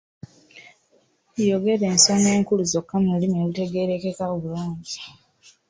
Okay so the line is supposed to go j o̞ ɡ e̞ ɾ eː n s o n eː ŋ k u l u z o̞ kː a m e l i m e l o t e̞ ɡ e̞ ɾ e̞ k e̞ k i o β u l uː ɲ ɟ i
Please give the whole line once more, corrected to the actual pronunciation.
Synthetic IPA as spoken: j o̞ ɡ e̞ ɾ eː n s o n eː ŋ k u l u z o̞ kː a m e l i m e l u t e̞ ɡ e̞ ɾ e̞ k e̞ k a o β u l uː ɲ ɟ i